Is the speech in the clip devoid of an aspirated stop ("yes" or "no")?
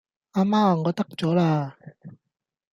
yes